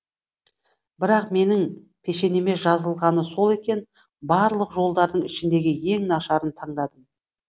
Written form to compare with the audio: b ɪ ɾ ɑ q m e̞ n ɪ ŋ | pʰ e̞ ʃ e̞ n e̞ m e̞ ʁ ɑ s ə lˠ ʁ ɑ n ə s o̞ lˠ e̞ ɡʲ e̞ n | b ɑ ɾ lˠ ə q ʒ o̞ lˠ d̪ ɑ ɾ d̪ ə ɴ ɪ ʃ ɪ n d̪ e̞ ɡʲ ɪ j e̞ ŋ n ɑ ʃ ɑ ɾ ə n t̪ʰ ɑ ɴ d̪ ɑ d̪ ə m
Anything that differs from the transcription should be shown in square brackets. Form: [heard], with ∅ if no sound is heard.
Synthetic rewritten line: b ɪ ɾ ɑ q m e̞ n ɪ ŋ | pʰ e̞ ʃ e̞ n e̞ m e̞ [ʒ] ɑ [z] ə lˠ ʁ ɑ n ə s o̞ lˠ e̞ [kʲ] e̞ n | b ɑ ɾ lˠ ə q ʒ o̞ lˠ d̪ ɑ ɾ d̪ ə ɴ ɪ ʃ ɪ n d̪ e̞ ɡʲ ɪ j e̞ ŋ n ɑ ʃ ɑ ɾ ə n t̪ʰ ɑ ɴ d̪ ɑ d̪ ə m